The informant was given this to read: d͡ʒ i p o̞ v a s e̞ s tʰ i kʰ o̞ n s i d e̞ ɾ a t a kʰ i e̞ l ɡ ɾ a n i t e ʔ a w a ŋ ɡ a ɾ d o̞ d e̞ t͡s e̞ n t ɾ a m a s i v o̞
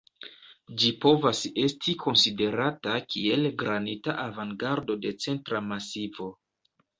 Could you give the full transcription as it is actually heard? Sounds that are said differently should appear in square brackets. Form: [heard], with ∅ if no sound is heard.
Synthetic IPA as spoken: d͡ʒ i p o̞ v a s e̞ s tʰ i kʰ o̞ n s i d e̞ ɾ a t a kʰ i e̞ l ɡ ɾ a n i t [a] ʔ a [v] a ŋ ɡ a ɾ d o̞ d e̞ t͡s e̞ n t ɾ a m a s i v o̞